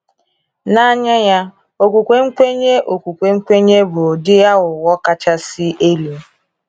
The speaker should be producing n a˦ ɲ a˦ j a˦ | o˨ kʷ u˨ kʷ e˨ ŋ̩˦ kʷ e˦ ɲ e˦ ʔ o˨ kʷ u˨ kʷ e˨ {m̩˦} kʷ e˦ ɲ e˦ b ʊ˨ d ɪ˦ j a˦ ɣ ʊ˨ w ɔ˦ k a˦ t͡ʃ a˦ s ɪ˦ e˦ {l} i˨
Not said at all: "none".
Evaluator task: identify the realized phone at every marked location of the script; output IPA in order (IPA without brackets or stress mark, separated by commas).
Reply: ŋ̩˦, l